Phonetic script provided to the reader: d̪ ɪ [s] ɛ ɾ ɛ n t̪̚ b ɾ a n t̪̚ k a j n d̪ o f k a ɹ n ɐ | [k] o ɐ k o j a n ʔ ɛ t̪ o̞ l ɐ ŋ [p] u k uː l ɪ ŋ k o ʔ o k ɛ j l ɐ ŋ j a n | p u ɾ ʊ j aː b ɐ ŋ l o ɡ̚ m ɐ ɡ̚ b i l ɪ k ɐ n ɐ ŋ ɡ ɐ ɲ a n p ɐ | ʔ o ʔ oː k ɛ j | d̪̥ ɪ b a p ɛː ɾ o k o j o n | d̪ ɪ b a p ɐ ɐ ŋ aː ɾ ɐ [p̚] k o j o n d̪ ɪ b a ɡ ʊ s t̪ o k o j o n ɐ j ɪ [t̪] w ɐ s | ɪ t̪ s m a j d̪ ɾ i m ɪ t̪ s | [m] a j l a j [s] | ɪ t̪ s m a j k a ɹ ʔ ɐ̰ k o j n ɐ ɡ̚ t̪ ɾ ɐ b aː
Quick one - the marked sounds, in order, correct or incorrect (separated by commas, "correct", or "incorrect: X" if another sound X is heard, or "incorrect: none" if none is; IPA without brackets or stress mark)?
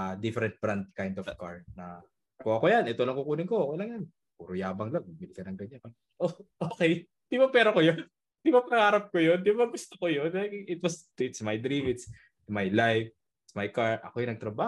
incorrect: f, correct, incorrect: k, correct, correct, correct, incorrect: f